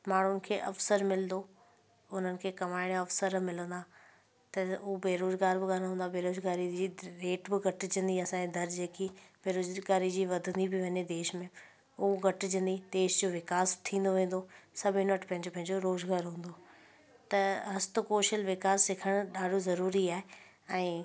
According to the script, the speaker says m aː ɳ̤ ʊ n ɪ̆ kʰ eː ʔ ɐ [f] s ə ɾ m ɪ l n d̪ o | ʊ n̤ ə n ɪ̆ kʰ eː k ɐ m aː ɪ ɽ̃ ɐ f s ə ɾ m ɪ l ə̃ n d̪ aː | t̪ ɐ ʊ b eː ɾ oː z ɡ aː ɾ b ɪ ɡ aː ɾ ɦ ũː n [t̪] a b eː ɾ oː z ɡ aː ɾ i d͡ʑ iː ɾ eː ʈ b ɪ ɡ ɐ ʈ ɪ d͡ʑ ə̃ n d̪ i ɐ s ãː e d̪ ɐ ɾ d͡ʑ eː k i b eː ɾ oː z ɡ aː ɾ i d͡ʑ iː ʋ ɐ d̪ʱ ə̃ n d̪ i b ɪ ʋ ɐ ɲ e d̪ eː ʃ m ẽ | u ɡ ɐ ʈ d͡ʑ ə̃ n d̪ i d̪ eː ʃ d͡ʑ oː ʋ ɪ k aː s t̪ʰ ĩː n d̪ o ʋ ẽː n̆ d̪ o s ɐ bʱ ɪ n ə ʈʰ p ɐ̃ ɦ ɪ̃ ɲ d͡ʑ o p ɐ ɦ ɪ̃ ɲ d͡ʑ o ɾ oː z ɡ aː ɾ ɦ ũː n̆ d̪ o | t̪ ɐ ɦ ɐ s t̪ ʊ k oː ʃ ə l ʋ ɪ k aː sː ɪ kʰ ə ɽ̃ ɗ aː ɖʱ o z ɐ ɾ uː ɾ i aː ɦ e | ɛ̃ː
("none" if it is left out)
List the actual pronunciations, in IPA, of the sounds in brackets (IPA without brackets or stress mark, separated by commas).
f, d̪